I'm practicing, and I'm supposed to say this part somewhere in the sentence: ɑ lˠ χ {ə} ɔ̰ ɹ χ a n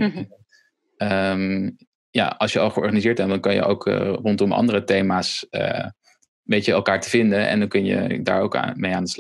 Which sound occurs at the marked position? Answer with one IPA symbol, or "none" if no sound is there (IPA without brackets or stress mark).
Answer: ə